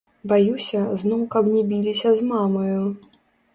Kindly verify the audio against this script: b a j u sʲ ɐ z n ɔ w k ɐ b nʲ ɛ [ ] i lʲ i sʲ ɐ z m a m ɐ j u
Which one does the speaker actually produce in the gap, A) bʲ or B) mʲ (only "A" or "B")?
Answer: A